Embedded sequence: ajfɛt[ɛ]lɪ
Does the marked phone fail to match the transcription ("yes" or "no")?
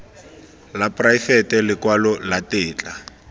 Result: no